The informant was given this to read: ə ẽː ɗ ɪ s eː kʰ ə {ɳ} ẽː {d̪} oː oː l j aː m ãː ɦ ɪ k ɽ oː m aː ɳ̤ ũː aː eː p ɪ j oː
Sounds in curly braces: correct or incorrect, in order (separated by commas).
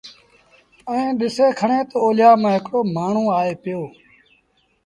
correct, incorrect